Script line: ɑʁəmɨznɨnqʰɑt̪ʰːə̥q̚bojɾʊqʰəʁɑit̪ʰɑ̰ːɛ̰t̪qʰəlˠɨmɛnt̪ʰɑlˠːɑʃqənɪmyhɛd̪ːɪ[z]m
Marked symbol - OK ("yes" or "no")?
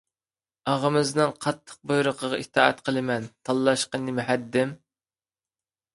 no